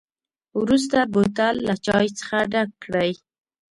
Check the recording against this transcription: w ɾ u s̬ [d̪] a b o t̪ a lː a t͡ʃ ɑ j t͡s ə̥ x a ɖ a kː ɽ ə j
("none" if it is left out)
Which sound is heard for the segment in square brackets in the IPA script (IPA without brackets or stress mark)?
t̪